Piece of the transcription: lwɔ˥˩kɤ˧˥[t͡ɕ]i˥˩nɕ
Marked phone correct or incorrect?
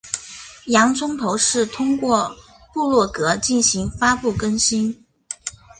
correct